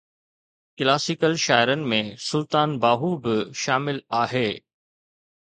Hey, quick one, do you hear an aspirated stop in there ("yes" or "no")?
no